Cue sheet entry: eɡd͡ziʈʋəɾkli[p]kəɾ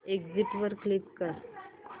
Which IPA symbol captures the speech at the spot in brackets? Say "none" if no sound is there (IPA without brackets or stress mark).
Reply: p